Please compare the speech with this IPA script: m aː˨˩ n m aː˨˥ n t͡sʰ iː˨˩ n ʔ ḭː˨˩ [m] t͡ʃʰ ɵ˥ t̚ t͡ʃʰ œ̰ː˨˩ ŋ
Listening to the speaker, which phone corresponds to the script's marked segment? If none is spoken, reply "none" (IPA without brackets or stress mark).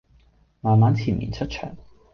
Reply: n